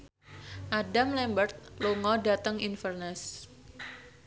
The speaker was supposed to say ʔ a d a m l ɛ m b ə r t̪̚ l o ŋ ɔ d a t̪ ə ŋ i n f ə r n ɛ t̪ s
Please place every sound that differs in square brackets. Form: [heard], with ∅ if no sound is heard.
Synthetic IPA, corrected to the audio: ʔ a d a m l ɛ m b ə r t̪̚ l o ŋ ɔ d a t̪ ə ŋ i n f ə r n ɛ [∅] s